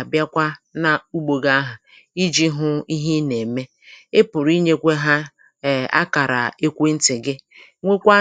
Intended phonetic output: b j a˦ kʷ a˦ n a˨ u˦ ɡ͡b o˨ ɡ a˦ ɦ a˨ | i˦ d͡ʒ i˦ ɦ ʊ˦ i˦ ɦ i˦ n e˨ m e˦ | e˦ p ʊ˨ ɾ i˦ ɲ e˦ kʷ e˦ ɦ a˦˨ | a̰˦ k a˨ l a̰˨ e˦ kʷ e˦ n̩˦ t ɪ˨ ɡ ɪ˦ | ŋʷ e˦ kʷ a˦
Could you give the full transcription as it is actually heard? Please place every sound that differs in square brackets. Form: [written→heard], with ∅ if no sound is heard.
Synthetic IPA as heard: b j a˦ kʷ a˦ n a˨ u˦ ɡ͡b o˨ ɡ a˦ ɦ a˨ | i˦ d͡ʒ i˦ ɦ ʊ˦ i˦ ɦ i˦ n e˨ m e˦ | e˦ p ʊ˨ ɾ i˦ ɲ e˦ kʷ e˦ ɦ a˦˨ | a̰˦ k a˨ [l→ɾ] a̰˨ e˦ kʷ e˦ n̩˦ t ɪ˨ ɡ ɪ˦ | ŋʷ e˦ kʷ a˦